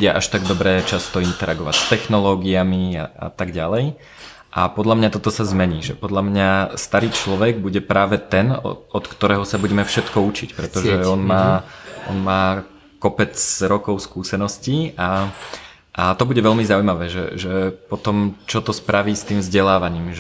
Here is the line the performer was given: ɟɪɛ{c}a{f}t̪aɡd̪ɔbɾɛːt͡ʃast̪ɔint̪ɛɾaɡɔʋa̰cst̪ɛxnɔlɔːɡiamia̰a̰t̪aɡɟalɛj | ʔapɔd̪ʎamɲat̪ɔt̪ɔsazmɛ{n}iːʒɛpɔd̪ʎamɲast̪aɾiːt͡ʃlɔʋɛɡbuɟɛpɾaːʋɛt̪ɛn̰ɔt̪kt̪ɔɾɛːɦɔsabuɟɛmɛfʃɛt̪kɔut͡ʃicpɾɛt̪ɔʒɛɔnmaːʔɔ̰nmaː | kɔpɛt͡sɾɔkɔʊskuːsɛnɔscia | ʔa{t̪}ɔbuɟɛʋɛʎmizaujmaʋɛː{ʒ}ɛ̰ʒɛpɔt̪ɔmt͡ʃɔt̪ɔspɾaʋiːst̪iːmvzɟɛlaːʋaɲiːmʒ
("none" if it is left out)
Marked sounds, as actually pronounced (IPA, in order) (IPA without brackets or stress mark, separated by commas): ʔ, ʃ, ɲ, t̪, ʒ